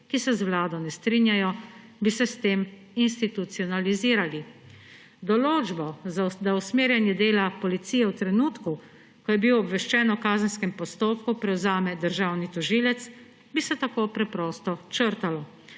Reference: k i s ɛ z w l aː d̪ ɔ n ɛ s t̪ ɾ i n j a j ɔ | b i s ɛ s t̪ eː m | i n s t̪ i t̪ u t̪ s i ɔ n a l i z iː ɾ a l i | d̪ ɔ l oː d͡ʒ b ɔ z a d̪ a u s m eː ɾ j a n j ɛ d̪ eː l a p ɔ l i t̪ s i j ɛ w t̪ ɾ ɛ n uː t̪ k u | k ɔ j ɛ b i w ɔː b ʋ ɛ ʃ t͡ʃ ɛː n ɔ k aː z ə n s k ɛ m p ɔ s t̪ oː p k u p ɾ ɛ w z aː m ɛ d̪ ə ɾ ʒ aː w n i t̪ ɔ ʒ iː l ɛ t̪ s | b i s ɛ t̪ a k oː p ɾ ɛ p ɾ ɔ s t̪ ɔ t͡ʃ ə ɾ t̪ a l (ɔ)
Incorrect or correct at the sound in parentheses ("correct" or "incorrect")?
correct